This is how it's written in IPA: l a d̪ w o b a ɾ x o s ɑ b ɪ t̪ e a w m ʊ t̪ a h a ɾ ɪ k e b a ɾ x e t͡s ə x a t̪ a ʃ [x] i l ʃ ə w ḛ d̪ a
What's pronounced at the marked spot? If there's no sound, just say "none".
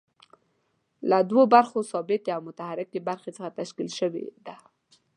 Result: k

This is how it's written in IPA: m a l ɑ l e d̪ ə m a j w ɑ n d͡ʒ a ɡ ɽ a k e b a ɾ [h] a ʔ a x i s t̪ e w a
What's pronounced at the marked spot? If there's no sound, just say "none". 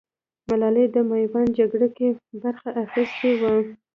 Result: x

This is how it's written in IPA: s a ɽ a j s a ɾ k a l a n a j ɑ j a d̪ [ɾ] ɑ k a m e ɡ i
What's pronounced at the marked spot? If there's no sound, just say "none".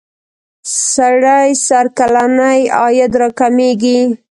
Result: ɾ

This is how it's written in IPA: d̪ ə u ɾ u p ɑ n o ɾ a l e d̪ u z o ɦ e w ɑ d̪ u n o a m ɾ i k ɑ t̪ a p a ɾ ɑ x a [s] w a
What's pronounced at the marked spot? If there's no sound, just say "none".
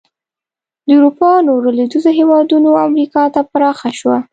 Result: ʃ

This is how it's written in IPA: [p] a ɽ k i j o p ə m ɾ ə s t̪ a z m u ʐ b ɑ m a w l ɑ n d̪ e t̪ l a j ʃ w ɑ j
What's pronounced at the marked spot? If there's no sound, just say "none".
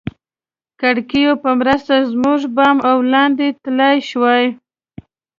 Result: k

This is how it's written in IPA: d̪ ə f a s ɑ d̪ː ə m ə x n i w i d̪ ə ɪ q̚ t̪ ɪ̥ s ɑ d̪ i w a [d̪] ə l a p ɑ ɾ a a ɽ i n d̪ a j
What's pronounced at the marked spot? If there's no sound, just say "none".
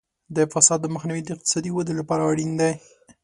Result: d̪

